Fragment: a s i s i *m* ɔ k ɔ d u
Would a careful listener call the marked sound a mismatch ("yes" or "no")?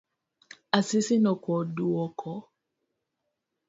yes